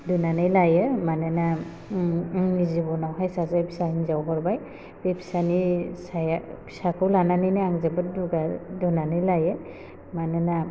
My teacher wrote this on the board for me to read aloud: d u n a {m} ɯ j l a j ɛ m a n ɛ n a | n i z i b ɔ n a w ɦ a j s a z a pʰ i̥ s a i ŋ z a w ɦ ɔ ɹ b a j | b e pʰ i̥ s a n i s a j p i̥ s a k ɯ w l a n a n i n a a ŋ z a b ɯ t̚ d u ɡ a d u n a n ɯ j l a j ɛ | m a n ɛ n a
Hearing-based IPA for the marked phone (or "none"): n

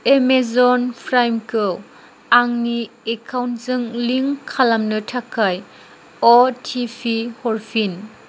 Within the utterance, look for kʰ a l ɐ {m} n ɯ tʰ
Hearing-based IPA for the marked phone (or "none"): m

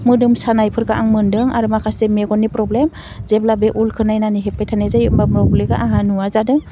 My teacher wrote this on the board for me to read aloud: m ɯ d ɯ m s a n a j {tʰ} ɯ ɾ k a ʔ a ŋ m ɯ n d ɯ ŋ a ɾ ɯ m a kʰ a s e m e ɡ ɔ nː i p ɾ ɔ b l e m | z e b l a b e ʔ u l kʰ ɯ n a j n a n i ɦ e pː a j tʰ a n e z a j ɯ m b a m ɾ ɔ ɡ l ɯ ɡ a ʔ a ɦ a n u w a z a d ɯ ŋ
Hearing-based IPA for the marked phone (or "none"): pʰ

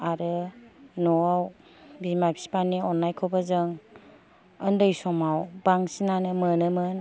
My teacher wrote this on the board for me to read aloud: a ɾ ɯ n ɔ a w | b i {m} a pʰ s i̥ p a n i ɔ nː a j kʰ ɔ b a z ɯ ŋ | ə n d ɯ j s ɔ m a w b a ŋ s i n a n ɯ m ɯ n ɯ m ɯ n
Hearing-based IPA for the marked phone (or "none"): m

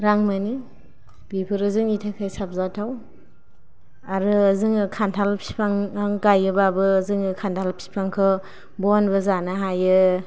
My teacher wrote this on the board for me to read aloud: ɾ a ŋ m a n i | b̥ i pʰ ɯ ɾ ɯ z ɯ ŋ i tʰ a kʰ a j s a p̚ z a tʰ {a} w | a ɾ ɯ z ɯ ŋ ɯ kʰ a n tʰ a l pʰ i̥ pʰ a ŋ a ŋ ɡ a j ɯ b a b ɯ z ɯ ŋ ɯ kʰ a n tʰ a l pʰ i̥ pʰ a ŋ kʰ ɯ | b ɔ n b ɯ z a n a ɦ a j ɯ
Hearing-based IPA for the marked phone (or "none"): a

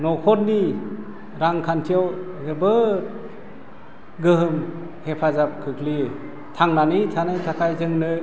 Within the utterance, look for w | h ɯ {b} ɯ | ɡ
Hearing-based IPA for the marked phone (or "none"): b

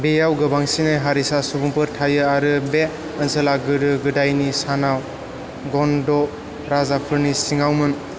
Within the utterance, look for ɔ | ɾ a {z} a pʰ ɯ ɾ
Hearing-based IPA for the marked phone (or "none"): z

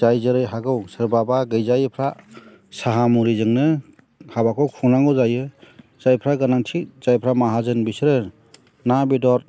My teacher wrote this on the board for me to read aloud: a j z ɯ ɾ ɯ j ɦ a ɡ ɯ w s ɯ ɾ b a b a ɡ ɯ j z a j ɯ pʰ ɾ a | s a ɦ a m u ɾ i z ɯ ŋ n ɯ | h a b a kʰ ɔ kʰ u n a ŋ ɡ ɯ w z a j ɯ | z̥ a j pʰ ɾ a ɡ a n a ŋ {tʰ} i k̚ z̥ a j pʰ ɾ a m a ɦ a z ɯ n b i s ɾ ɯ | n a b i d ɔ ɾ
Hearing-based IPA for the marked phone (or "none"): tʰ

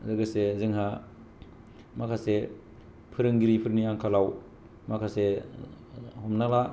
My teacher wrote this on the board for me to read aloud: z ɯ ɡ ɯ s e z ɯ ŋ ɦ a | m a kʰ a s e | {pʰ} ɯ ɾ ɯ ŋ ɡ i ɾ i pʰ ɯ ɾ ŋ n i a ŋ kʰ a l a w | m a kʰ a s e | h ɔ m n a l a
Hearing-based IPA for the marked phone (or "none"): pʰ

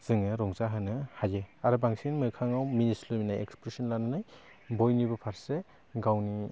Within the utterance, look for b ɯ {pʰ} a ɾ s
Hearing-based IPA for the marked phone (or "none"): pʰ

